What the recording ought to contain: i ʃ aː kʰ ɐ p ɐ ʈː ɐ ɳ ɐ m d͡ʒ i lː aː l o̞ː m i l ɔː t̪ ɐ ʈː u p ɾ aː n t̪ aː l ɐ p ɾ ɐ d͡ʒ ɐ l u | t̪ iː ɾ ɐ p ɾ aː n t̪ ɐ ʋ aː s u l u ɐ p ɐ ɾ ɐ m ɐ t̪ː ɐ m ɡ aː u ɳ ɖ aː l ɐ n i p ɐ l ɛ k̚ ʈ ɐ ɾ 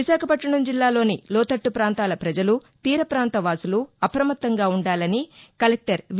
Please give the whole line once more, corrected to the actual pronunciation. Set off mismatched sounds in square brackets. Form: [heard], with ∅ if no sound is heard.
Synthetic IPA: i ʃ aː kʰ ɐ p ɐ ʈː ɐ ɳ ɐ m d͡ʒ i lː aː l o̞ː [n] i l ɔː t̪ ɐ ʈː u p ɾ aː n t̪ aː l ɐ p ɾ ɐ d͡ʒ ɐ l u | t̪ iː ɾ ɐ p ɾ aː n t̪ ɐ ʋ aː s u l u ɐ p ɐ ɾ ɐ m ɐ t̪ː ɐ [ŋ] ɡ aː u ɳ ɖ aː l ɐ n i [k] ɐ l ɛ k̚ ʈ ɐ ɾ